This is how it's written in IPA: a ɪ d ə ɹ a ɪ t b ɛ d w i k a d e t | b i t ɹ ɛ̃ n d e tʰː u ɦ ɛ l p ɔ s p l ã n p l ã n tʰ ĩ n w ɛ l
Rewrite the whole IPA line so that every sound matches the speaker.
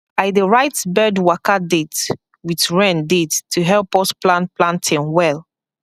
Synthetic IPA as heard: a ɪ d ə ɹ a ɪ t b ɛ d w a k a d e t | w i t ɹ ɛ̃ n d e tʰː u ɦ ɛ l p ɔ s p l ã n p l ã n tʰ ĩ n w ɛ l